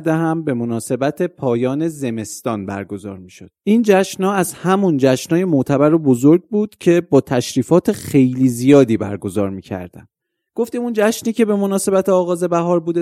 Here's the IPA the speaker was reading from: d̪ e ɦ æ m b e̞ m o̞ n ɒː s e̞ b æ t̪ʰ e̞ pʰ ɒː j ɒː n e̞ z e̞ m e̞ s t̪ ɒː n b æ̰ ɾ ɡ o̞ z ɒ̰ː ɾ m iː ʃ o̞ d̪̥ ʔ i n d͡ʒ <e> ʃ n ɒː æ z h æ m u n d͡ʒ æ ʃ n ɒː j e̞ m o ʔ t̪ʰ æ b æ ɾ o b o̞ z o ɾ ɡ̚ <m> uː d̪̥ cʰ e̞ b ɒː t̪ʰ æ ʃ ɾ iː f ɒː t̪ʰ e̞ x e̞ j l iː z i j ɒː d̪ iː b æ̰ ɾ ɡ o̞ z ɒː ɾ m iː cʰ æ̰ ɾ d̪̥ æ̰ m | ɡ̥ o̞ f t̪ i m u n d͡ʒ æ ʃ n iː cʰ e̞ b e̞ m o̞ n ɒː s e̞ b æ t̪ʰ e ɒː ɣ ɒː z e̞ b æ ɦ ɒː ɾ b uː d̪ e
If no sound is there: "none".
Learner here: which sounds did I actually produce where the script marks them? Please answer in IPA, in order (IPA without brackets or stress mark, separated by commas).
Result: æ, b